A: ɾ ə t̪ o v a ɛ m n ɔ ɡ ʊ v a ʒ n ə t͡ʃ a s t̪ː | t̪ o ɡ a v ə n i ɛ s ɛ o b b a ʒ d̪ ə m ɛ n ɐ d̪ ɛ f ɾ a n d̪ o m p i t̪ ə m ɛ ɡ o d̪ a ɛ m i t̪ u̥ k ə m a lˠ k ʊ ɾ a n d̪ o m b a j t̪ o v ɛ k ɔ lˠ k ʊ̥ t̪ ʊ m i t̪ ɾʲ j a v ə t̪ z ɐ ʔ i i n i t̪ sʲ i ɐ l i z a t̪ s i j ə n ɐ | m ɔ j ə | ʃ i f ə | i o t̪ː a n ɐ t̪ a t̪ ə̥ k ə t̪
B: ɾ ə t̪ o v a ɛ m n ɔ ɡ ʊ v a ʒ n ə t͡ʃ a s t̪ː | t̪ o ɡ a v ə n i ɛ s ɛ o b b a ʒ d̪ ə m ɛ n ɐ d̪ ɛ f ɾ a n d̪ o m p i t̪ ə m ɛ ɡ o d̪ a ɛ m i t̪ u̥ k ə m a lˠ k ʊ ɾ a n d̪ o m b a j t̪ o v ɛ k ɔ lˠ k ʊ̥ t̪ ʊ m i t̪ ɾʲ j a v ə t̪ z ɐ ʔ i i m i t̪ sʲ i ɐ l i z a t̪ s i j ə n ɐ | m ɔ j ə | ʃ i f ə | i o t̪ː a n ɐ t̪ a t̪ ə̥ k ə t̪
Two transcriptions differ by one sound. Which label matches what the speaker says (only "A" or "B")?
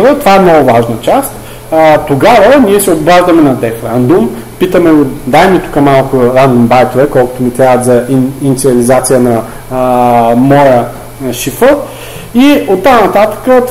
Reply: A